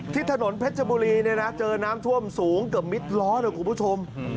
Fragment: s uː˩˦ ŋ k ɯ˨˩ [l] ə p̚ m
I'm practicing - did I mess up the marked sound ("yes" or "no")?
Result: yes